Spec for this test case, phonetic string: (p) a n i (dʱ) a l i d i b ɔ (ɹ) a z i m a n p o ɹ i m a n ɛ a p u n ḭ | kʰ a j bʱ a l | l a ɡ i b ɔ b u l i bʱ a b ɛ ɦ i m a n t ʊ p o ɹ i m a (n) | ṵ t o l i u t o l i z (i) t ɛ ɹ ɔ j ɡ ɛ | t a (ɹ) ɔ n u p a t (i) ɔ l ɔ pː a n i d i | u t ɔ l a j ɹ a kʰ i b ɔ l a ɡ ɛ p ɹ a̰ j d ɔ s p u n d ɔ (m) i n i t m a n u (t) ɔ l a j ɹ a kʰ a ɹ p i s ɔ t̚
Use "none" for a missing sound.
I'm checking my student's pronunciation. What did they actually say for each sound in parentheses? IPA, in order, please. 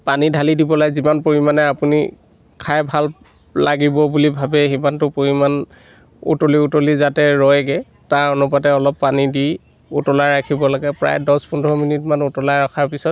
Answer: p, dʱ, l, n, a, ɹ, ɛ, m, t

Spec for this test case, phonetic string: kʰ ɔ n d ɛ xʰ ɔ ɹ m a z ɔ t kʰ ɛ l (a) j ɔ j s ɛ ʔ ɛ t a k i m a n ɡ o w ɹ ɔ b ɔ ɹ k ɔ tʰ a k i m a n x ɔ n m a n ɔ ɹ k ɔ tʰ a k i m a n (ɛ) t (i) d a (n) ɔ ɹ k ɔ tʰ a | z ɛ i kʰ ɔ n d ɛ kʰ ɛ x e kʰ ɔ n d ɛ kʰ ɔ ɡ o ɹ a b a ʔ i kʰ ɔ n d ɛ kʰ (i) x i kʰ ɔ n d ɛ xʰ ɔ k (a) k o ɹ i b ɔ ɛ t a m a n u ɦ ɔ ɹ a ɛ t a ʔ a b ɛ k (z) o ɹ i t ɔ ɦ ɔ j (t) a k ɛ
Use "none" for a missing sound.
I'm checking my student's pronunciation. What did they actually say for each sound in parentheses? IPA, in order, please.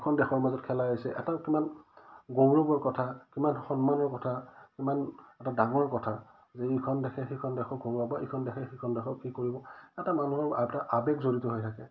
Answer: a, ɛ, a, ŋ, ɛ, i, z, tʰ

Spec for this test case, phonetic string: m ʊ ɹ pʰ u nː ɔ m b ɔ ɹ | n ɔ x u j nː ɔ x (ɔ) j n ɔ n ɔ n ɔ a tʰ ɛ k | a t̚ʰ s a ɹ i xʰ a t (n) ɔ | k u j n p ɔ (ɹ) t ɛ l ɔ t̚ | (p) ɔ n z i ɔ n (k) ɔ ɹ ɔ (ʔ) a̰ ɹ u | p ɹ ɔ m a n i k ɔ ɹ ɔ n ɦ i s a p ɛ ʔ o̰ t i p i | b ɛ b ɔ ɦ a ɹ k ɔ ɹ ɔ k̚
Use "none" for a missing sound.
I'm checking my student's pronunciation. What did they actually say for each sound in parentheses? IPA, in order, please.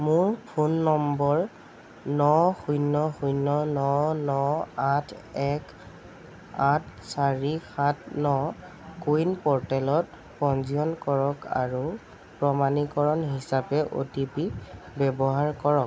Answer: u, n, ɹ, p, k, k

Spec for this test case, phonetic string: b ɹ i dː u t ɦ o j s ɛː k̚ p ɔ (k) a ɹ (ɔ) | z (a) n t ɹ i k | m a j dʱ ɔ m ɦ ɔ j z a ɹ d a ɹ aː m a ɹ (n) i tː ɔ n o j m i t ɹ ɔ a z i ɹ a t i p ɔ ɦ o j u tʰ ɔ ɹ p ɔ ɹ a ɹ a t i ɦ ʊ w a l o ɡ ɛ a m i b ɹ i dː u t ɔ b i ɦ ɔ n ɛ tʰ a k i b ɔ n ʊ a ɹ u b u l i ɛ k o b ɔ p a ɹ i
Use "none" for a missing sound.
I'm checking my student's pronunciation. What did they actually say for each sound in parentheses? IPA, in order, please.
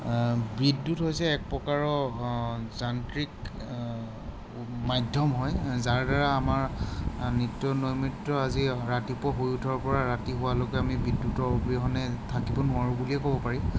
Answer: k, ɔ, a, n

